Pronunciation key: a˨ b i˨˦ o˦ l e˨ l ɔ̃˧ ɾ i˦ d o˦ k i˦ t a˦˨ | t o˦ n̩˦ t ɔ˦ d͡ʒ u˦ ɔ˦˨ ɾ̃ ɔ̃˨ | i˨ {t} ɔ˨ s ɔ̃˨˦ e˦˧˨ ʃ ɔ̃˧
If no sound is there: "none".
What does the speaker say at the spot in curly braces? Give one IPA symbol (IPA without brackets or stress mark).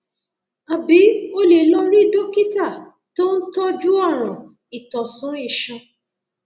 t